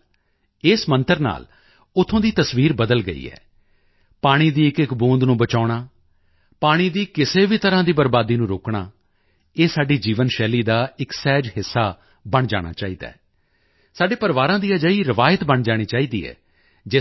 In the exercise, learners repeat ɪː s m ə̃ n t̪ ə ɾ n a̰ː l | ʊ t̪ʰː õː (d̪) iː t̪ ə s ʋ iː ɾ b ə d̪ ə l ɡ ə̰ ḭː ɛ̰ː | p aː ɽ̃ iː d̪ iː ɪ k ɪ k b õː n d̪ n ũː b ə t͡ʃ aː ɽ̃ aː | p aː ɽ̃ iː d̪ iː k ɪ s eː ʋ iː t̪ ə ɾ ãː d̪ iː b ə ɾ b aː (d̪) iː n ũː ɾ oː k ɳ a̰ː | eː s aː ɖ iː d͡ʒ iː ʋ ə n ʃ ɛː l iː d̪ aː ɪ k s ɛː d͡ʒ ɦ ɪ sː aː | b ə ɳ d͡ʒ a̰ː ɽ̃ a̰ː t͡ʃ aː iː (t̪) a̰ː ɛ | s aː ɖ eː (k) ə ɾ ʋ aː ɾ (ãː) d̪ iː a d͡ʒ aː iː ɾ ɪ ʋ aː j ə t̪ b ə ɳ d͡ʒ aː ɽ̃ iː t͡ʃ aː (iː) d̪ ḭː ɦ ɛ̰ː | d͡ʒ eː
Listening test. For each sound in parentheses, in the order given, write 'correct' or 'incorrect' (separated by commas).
correct, correct, incorrect, incorrect, correct, correct